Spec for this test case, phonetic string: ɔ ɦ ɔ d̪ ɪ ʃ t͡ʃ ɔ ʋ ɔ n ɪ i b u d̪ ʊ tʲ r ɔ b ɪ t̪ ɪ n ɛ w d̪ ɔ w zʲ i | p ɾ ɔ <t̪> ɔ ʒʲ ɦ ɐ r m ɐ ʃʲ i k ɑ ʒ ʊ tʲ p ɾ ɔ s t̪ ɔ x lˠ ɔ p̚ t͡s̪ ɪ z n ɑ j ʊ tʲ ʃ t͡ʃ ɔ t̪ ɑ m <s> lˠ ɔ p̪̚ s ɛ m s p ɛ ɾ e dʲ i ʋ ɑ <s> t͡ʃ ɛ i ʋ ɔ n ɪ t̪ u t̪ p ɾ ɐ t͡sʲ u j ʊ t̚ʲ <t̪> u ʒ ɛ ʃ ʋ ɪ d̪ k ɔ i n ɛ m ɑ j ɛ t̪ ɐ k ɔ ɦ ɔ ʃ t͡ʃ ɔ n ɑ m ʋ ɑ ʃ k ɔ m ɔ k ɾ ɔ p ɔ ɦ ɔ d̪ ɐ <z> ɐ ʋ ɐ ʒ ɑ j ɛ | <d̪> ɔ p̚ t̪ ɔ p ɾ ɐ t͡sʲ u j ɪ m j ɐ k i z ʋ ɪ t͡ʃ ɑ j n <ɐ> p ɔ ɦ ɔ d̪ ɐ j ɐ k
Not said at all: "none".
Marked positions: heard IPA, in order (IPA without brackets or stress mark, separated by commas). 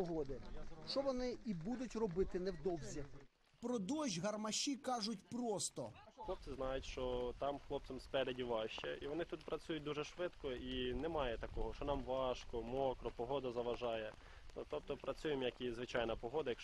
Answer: d̪, x, ʃ, d̪, z, t̪, ɐ